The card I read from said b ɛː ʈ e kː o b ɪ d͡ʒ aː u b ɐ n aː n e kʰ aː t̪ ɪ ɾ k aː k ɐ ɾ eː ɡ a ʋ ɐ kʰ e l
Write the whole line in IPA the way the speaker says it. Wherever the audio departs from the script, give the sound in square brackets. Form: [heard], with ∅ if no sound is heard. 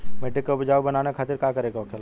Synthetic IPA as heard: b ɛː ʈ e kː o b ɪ d͡ʒ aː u b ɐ n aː n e kʰ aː t̪ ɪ ɾ k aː k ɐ ɾ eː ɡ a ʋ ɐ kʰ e l